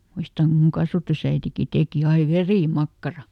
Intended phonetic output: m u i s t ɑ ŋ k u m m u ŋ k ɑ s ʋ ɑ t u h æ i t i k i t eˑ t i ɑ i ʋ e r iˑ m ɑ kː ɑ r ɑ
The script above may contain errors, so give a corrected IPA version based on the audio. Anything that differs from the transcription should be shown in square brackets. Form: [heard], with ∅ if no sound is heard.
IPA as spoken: m u i s t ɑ ŋ k u m m u ŋ k ɑ s ʋ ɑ t u [s] æ i t i k i t eˑ [k] i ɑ i ʋ e r iˑ m ɑ kː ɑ r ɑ